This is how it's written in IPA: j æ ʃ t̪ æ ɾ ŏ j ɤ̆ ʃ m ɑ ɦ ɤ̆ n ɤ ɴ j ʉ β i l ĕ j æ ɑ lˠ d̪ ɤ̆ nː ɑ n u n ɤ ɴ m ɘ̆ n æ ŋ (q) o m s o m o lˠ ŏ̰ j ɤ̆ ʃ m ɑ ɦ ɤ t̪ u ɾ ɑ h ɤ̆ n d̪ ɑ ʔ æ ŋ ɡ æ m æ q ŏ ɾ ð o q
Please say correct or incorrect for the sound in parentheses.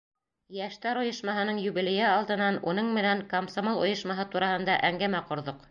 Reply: incorrect